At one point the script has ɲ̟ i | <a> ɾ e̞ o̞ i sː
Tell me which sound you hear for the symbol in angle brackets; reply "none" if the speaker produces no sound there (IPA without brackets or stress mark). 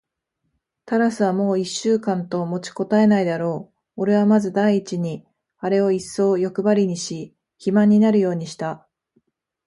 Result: a